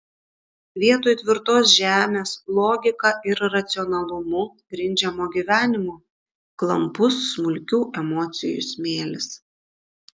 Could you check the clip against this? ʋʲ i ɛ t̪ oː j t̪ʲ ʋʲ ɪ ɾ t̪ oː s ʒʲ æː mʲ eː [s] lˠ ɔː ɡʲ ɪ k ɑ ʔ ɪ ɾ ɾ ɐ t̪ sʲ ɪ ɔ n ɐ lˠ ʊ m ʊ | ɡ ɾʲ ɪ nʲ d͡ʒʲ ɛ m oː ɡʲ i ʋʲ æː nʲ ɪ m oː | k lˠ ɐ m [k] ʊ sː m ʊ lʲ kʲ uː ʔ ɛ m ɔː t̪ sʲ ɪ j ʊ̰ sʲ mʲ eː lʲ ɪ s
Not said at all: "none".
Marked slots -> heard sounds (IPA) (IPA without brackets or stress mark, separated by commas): s, p